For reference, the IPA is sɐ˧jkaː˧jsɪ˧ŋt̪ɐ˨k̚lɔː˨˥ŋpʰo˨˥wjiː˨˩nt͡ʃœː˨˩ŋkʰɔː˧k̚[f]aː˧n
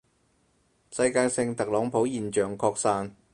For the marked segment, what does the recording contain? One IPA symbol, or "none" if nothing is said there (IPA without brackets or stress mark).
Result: s